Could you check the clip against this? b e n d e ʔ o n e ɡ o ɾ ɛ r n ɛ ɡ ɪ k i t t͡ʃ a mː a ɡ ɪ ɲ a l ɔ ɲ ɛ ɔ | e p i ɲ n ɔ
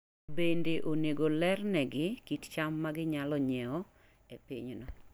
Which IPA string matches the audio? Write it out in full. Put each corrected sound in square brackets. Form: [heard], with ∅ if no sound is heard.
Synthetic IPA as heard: b e n d e ʔ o n e ɡ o [l] ɛ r n ɛ ɡ ɪ k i t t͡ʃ a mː a ɡ ɪ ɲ a l ɔ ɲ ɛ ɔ | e p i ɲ n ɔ